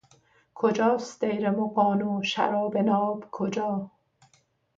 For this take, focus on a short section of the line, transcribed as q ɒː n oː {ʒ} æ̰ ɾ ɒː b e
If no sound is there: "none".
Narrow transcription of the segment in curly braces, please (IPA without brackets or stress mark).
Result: ʃ